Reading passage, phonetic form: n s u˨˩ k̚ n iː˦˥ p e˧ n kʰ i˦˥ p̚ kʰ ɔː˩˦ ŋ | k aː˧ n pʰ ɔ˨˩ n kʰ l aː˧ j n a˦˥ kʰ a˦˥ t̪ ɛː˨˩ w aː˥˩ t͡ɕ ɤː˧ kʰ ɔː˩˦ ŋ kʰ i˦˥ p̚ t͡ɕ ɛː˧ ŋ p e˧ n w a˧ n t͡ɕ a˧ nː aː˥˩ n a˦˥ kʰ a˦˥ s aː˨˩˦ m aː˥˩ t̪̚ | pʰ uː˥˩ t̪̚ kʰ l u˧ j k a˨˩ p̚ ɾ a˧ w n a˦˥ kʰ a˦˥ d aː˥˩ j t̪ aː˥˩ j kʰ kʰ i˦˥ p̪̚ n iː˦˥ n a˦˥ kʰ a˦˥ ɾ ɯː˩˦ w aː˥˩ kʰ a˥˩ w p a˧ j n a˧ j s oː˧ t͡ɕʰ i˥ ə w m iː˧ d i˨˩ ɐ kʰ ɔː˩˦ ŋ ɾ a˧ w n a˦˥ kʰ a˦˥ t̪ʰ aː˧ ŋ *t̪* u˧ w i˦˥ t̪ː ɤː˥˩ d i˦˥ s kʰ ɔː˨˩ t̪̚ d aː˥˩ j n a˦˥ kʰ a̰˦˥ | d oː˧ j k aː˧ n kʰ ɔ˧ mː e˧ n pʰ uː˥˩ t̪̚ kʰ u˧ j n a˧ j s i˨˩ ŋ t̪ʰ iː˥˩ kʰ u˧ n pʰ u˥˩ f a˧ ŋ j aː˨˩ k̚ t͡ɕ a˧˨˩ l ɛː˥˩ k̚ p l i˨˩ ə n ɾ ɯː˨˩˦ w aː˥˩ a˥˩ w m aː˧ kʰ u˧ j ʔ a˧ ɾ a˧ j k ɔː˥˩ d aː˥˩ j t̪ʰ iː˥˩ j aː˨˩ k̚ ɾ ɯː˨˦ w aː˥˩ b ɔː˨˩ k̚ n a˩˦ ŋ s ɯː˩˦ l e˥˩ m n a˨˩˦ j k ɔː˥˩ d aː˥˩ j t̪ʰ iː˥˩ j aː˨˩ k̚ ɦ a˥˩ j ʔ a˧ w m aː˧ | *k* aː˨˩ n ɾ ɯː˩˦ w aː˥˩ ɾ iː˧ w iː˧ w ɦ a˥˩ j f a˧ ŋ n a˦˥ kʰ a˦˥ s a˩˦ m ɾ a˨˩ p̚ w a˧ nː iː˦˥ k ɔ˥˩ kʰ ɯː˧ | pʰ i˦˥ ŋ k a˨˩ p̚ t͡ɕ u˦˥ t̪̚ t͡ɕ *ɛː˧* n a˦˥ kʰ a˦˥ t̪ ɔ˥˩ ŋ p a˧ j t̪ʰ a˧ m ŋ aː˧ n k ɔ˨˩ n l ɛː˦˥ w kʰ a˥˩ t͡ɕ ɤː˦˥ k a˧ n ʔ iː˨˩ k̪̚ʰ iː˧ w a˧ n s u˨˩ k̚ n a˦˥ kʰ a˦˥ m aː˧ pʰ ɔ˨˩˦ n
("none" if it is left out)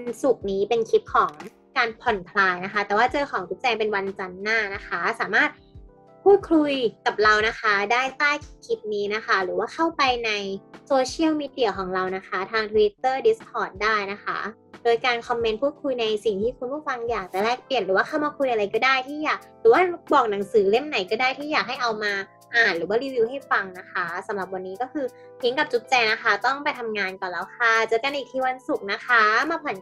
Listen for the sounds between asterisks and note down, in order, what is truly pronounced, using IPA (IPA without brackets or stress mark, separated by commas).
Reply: t̪ʰ, ʔ, ɛː˧